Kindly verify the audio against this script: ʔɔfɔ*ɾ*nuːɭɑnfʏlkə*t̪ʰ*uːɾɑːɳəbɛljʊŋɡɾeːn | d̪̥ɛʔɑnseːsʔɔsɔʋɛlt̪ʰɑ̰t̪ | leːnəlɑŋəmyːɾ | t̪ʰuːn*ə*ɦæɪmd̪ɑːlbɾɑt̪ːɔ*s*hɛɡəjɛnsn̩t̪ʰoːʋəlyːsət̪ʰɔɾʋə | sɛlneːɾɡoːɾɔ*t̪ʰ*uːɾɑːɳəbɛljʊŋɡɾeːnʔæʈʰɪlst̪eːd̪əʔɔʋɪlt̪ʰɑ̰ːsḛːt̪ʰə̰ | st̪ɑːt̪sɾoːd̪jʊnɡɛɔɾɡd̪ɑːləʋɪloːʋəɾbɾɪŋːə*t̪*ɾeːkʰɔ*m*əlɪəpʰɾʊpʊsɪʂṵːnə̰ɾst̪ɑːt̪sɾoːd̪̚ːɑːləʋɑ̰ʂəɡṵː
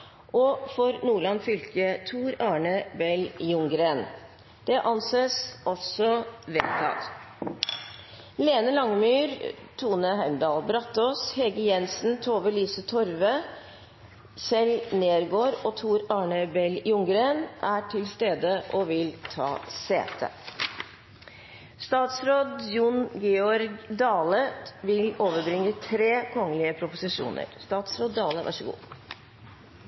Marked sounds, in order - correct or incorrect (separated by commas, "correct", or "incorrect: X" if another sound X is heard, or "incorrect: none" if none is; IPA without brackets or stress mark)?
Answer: correct, correct, correct, correct, correct, incorrect: t̪ʰ, incorrect: ŋ